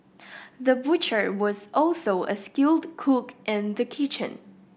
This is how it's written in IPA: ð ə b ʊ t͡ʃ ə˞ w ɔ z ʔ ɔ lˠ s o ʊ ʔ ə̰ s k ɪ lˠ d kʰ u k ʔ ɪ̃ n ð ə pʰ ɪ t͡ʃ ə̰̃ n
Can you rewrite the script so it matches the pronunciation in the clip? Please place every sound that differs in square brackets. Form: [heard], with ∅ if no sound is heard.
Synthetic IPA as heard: ð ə b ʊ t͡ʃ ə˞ w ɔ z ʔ ɔ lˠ s o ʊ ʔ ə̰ s k ɪ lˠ d kʰ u k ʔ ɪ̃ n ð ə [kʰ] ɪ t͡ʃ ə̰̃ n